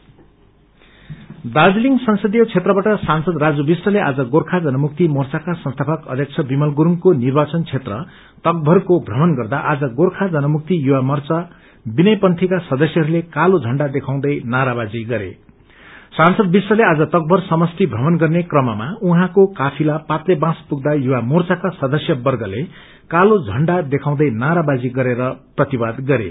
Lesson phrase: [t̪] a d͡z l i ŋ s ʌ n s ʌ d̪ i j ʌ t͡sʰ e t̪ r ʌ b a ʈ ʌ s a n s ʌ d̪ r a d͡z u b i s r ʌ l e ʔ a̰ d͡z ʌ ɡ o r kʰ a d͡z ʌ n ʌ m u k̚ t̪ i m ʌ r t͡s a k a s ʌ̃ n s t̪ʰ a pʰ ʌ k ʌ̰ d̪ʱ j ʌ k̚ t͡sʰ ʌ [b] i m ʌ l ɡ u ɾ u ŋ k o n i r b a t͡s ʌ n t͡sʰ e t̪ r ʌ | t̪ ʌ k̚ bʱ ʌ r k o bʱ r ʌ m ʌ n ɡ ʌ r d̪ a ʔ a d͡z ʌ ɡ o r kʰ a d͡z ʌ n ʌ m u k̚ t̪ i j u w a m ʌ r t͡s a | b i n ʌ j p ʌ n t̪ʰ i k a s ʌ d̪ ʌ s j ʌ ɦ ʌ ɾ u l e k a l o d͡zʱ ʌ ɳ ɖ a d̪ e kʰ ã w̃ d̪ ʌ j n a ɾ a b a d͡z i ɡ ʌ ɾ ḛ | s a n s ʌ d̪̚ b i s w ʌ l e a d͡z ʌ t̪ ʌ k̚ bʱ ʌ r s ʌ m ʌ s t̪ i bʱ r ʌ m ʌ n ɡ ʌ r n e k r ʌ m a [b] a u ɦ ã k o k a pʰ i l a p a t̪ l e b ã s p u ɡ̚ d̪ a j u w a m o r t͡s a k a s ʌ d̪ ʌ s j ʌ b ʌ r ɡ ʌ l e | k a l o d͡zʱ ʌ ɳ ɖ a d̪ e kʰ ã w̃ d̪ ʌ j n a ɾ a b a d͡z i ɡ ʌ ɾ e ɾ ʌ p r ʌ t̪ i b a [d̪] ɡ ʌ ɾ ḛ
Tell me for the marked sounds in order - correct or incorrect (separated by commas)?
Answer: incorrect, correct, incorrect, correct